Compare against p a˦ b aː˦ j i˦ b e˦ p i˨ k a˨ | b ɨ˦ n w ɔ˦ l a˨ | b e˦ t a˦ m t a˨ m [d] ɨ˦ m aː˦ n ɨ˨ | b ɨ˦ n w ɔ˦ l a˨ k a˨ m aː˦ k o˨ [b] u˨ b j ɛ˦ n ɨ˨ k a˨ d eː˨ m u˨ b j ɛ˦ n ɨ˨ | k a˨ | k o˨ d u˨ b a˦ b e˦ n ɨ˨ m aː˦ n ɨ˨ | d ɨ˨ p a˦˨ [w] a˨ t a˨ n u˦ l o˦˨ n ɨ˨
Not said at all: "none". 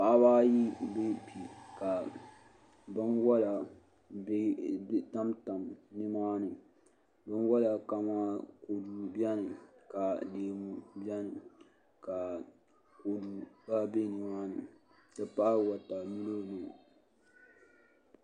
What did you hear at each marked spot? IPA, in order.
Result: n, d, w

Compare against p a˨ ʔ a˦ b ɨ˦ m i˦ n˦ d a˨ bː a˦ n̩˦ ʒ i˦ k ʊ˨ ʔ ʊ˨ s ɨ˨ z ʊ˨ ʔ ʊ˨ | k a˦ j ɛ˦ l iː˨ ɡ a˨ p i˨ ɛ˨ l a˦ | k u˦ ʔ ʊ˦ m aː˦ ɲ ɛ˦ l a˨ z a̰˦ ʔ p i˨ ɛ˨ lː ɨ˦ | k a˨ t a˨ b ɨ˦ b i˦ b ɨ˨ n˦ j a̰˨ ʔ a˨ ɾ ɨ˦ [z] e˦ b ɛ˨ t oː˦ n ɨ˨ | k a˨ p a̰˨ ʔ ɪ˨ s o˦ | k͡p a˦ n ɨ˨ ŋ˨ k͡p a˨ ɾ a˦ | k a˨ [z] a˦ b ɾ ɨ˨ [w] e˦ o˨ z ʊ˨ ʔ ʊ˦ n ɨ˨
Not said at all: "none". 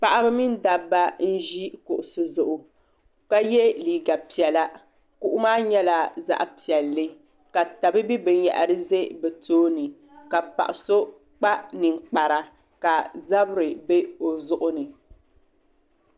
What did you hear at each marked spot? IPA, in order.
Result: z, z, b

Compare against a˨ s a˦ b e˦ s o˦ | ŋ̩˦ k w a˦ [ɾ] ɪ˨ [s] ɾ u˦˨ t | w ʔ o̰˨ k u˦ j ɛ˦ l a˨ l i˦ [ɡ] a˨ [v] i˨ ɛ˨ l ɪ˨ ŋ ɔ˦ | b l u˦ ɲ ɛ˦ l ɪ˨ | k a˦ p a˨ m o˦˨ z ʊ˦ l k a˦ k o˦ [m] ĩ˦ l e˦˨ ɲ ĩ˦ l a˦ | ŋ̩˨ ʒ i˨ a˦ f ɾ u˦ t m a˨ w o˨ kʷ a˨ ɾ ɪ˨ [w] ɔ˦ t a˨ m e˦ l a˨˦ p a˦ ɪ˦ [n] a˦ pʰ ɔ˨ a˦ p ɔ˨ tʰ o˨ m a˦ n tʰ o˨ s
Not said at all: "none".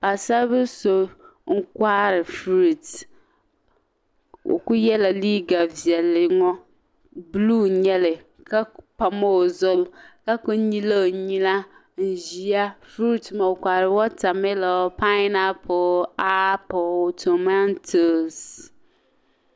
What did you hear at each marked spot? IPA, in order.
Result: ɾ, f, ɡ, v, ɲ, w, n

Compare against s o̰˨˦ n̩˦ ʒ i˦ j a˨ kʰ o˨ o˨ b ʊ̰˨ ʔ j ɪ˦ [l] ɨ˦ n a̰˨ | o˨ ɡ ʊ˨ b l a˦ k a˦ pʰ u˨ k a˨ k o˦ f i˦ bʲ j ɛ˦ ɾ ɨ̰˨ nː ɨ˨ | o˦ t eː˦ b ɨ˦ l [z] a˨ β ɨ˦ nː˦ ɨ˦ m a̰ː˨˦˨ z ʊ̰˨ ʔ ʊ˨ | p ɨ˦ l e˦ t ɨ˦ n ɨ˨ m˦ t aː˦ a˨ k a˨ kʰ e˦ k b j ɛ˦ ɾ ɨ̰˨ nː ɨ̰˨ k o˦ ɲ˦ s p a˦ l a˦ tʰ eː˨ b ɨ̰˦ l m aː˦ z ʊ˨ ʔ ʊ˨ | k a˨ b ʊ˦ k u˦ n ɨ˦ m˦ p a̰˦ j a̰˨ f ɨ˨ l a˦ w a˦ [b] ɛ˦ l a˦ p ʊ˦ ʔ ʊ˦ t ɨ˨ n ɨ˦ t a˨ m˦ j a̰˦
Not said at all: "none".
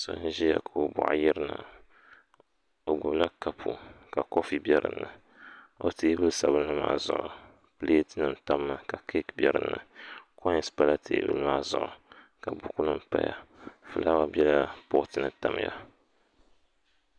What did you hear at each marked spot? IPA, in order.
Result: ɾ, s, b

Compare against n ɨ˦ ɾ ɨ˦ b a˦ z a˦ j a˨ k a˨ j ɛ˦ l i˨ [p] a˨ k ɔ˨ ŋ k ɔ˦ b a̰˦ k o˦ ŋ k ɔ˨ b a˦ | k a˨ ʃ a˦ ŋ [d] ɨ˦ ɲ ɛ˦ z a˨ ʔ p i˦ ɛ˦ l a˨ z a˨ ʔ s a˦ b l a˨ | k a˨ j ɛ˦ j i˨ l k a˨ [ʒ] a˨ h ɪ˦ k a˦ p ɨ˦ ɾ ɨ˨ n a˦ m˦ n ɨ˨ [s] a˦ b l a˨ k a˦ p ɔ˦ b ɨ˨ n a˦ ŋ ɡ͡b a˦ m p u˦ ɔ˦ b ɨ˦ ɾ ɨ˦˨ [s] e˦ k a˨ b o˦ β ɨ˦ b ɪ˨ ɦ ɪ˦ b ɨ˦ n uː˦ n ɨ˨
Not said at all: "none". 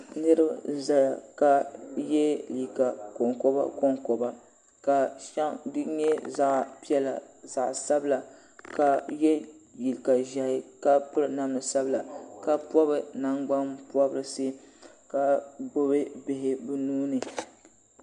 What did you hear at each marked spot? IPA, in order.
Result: k, d, ʒ, s, s

